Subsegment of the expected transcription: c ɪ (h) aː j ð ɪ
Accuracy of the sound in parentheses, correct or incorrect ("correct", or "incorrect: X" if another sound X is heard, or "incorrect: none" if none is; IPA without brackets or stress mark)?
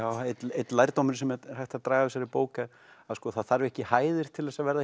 correct